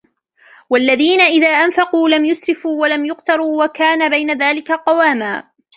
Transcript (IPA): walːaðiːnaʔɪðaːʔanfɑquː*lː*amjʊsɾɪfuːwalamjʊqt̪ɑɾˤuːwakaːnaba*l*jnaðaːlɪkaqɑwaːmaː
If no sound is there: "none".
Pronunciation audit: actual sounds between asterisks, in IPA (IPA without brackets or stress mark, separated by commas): l, none